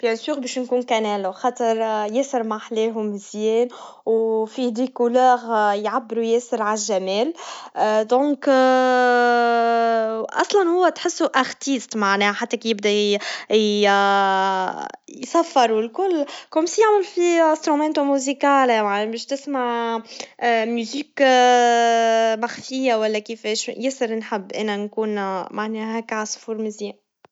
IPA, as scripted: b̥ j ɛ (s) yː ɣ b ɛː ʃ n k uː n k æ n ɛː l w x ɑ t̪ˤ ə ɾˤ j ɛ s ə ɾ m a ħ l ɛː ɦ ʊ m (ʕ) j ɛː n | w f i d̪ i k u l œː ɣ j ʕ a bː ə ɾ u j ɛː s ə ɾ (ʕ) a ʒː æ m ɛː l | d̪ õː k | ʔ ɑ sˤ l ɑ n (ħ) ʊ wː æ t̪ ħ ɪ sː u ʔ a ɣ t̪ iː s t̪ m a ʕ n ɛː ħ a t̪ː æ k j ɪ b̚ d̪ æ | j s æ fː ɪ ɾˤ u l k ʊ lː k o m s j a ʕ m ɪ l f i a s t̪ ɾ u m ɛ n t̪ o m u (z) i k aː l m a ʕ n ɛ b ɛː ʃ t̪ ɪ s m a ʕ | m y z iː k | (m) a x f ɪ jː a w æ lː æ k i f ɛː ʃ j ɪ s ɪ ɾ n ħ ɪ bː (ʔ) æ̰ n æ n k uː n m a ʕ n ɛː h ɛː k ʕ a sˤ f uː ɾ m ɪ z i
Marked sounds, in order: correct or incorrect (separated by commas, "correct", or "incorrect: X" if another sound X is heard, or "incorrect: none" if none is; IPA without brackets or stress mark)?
correct, incorrect: z, correct, incorrect: h, correct, correct, correct